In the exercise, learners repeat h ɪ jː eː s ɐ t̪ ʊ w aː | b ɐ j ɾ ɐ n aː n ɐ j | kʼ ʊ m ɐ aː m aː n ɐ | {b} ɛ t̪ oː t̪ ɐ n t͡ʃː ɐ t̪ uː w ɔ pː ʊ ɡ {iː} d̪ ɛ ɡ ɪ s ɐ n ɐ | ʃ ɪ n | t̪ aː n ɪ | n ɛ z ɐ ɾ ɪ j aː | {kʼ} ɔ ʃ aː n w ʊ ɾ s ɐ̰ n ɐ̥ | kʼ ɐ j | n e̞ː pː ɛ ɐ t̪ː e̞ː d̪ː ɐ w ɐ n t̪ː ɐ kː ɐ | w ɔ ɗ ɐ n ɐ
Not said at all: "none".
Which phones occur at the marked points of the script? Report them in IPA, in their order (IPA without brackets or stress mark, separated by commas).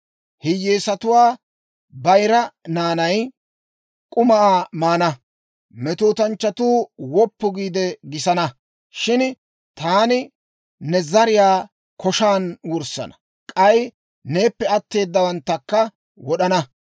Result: m, iː, k